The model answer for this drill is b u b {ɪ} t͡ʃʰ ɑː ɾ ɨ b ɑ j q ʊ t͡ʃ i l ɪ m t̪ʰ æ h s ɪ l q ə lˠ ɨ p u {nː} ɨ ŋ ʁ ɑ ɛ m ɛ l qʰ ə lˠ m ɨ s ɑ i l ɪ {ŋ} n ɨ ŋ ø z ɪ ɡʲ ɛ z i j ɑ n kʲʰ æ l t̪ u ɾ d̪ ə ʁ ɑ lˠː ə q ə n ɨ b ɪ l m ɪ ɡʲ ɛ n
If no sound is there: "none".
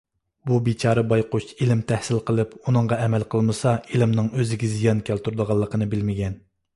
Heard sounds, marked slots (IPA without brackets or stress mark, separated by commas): i, n, m